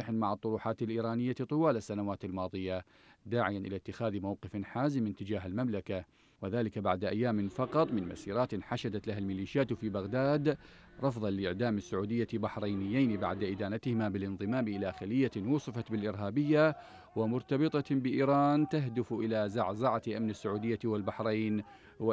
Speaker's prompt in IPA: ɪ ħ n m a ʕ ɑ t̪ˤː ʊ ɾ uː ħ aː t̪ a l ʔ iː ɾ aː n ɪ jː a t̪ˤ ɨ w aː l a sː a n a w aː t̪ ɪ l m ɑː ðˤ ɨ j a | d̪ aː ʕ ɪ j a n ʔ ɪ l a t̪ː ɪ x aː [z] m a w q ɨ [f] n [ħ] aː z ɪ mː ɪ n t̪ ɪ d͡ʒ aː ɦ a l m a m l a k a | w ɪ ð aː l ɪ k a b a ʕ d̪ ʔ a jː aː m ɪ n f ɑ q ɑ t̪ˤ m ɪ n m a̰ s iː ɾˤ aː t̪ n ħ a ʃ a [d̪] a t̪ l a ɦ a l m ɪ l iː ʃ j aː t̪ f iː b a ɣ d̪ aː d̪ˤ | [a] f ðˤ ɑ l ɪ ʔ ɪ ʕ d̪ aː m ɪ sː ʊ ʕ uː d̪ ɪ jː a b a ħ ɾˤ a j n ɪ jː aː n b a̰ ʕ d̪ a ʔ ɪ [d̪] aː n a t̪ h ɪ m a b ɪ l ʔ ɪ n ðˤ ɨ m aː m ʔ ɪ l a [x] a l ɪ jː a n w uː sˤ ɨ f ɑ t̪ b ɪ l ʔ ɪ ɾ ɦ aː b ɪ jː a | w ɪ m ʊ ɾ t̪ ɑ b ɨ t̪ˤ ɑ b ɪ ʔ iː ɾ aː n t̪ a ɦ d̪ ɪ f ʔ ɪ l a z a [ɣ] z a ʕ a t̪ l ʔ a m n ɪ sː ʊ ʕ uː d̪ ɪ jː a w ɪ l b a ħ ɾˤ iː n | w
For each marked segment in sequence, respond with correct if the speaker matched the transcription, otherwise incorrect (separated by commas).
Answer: incorrect, correct, correct, correct, incorrect, correct, correct, incorrect